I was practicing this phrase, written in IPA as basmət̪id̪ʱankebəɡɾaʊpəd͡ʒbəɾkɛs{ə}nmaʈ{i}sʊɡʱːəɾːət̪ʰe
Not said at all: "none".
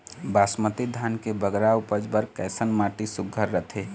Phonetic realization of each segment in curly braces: ə, i

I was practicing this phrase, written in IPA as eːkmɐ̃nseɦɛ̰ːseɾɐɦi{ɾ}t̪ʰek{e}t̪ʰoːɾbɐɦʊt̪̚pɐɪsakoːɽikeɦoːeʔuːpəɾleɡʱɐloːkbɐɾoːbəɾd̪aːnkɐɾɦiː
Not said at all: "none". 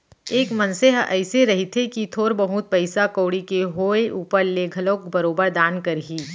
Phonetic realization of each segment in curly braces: none, i

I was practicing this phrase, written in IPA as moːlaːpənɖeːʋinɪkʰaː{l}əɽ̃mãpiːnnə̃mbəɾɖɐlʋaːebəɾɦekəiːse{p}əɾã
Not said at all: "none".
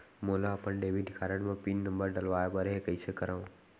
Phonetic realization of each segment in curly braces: ɾ, k

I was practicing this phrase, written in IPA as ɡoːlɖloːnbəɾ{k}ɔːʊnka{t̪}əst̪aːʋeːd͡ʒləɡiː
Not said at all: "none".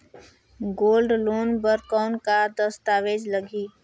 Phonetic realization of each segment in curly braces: k, d̪

